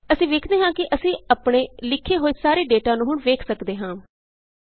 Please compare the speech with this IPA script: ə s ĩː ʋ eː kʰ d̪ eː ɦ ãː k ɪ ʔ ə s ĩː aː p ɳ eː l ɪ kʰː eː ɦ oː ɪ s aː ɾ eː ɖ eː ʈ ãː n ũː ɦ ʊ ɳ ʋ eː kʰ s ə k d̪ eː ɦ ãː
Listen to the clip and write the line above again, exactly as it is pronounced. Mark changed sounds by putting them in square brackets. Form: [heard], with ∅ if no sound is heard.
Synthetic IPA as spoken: ə s ĩː ʋ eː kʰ d̪ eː ɦ ãː k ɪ ʔ ə s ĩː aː p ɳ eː l ɪ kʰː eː ɦ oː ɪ s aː ɾ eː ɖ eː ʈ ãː n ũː ɦ ʊ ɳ ʋ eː kʰ s ə k d̪ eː ɦ ãː

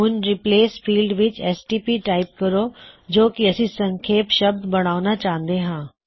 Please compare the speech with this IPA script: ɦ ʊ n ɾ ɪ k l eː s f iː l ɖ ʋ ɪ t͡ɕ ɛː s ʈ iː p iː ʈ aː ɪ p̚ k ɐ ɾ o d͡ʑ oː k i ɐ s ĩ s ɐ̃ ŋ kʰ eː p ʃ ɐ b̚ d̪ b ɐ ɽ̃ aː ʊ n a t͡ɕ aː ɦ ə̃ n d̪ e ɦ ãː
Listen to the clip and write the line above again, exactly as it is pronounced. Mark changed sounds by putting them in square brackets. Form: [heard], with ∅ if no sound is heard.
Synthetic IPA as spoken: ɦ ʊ n ɾ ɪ [p] l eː s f iː l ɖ ʋ ɪ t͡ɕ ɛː s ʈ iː p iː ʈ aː ɪ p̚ k ɐ ɾ o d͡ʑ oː k i ɐ s ĩ s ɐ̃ ŋ kʰ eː p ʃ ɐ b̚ d̪ b ɐ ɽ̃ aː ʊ n a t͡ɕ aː ɦ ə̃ n d̪ e ɦ ãː

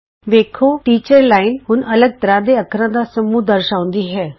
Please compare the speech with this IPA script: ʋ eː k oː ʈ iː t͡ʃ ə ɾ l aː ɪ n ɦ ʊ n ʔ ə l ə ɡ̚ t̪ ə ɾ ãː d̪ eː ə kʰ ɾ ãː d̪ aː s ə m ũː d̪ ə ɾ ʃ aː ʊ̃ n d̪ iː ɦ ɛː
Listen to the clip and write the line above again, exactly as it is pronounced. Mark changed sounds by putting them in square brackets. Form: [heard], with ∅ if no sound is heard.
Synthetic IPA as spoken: ʋ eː [kʰ] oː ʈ iː t͡ʃ ə ɾ l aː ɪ n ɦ ʊ n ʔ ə l ə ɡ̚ t̪ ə ɾ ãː d̪ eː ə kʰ ɾ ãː d̪ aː s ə m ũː d̪ ə ɾ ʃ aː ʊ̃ n d̪ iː ɦ ɛː

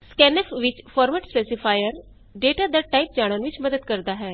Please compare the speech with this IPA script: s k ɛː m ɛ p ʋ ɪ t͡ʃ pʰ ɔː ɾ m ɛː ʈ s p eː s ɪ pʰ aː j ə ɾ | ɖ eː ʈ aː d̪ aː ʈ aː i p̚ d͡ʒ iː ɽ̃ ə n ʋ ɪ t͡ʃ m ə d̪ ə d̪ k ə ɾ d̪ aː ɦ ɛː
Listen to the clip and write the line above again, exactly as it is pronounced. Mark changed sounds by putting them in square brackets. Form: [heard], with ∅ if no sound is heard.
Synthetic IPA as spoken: s k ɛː [n] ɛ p ʋ ɪ t͡ʃ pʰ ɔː ɾ m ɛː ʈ s p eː s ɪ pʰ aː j ə ɾ | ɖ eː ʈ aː d̪ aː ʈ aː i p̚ d͡ʒ [aː] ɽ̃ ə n ʋ ɪ t͡ʃ m ə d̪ ə d̪ k ə ɾ d̪ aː ɦ ɛː

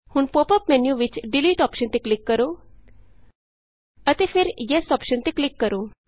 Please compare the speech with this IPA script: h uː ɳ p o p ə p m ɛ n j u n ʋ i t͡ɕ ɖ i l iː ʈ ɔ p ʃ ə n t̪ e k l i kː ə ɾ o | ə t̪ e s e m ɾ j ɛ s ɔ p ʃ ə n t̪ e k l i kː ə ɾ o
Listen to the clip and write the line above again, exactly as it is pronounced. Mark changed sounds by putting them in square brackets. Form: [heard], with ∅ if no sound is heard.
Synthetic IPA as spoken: h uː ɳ p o p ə p m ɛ n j u [∅] ʋ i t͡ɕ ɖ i l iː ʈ ɔ p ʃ ə n t̪ e k l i kː ə ɾ o | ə t̪ e [f] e [∅] ɾ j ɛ s ɔ p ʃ ə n t̪ e k l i kː ə ɾ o

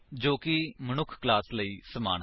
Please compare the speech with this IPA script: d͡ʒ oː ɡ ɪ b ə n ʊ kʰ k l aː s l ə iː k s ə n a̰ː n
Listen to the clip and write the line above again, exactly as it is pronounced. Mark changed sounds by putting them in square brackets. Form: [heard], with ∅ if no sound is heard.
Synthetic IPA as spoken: d͡ʒ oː [k] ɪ [m] ə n ʊ kʰ k l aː s l ə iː [∅] s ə [m] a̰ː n

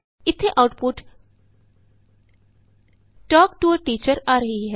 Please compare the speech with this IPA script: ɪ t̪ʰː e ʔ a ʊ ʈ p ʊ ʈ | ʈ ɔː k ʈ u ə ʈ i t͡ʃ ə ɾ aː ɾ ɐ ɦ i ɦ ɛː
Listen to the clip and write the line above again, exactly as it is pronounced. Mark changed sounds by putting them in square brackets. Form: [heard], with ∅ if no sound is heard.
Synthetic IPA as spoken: ɪ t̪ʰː e ʔ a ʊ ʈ p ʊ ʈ | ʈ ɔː k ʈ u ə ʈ [iː] t͡ʃ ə ɾ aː ɾ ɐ ɦ i ɦ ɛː

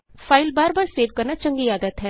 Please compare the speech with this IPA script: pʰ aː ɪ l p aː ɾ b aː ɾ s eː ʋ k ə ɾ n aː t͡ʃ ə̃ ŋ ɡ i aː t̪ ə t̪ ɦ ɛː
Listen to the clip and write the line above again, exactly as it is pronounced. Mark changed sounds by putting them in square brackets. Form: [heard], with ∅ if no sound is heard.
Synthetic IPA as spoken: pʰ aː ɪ l [b] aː ɾ b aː ɾ s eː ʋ k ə ɾ n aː t͡ʃ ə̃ ŋ ɡ i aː [d̪] ə t̪ ɦ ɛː

